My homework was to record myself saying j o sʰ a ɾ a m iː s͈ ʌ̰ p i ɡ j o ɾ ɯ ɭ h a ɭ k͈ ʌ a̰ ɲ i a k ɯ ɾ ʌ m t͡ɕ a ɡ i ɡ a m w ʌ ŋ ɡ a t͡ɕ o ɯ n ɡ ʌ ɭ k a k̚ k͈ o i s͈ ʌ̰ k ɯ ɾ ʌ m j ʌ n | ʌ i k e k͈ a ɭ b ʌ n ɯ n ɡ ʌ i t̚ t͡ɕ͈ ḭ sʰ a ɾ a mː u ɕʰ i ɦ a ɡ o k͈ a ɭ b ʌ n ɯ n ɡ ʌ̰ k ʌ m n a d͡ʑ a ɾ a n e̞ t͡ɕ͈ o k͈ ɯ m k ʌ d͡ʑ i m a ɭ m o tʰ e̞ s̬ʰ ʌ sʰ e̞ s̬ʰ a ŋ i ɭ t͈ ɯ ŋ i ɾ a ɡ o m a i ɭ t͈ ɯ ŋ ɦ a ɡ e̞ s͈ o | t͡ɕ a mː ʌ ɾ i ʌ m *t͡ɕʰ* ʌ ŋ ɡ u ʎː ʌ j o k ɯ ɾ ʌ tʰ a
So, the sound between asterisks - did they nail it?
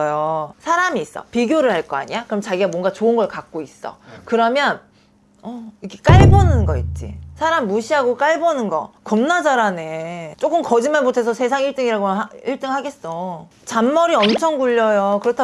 yes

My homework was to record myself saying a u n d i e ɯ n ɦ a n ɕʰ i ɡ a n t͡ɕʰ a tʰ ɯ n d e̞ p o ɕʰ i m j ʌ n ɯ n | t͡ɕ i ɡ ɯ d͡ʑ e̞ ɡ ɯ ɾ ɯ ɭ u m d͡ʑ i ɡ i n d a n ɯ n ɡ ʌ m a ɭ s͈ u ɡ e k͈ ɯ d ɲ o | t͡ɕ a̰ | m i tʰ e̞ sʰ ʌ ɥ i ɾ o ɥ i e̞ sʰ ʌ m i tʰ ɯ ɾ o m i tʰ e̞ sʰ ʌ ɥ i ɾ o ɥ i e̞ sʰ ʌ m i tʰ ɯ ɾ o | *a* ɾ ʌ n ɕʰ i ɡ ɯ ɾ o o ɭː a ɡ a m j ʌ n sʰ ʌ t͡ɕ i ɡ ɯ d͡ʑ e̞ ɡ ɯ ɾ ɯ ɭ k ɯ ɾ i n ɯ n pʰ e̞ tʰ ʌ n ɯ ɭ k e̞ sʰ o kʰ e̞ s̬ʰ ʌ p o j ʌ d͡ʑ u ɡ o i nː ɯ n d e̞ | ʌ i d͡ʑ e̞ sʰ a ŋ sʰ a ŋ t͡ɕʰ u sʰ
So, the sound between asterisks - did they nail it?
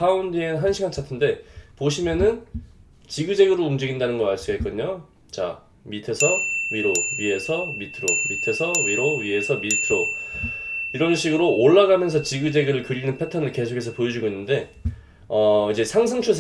no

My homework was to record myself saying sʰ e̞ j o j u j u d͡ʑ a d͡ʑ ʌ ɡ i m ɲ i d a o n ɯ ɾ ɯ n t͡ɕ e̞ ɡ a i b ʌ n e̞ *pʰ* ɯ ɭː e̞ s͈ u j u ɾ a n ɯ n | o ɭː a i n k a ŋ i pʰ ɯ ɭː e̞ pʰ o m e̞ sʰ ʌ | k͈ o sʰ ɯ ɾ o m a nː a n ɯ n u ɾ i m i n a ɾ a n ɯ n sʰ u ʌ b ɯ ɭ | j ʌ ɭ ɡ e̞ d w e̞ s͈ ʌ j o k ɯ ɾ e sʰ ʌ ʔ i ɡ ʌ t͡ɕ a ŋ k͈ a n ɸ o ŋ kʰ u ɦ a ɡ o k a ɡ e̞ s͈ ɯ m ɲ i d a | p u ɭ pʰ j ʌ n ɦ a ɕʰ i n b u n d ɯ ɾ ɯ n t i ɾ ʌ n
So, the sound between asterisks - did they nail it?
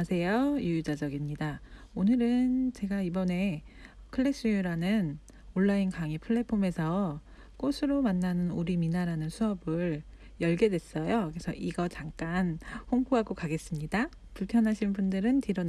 no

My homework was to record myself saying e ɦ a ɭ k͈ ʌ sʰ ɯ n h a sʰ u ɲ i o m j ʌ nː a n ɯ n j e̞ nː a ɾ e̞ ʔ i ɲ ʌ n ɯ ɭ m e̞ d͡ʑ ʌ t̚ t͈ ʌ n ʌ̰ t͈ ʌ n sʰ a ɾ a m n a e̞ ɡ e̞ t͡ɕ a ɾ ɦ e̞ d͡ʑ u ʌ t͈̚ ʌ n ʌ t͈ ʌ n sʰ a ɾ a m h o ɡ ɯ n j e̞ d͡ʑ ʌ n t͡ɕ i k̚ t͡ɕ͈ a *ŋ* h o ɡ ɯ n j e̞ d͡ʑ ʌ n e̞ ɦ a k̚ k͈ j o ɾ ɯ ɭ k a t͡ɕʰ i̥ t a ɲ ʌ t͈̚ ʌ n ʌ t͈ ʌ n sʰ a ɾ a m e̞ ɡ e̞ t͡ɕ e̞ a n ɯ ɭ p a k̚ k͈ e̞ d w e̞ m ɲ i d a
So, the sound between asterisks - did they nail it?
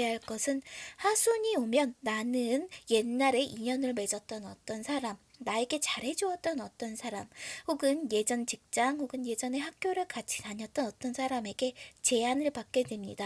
yes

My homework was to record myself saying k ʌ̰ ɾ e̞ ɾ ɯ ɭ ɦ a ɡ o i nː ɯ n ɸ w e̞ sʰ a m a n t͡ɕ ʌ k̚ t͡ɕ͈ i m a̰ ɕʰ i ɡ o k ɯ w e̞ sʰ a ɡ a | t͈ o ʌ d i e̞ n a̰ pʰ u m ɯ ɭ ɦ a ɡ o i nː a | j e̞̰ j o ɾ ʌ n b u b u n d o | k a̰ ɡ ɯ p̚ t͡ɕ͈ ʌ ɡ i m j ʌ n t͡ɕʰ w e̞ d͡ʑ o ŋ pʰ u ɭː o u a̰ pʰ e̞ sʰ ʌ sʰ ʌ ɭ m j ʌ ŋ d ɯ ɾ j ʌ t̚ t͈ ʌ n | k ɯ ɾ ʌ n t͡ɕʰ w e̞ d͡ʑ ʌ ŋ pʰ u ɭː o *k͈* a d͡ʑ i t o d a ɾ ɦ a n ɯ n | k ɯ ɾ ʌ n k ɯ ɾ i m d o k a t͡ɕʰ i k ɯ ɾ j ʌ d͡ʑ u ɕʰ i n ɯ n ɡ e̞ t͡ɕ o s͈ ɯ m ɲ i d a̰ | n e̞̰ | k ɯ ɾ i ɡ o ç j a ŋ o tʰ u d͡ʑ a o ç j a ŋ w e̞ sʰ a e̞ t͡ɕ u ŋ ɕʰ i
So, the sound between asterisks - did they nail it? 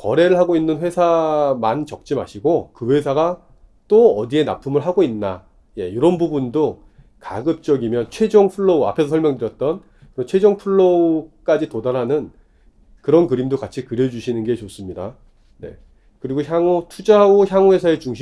yes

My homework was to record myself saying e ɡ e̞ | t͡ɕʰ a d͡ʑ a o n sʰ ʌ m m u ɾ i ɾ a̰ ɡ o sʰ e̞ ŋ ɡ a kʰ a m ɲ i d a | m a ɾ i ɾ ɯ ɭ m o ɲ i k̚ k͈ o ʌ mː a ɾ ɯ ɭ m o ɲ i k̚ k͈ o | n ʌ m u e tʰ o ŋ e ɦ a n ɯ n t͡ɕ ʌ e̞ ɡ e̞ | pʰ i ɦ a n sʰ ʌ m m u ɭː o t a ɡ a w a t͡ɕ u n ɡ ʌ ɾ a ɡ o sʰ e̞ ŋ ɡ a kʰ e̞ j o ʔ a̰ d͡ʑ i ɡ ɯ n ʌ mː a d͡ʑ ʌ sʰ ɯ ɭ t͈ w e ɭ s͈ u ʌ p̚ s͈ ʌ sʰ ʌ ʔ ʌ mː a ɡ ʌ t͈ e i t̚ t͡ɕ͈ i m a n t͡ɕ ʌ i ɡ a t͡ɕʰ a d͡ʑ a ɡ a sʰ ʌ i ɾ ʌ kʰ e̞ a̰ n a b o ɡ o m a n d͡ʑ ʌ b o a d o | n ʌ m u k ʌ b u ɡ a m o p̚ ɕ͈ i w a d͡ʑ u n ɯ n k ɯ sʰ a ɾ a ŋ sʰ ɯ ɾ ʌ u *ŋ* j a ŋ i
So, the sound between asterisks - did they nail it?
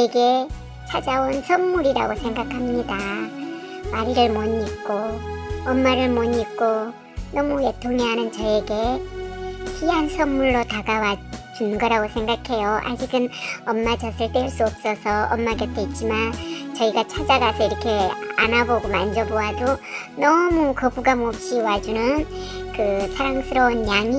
no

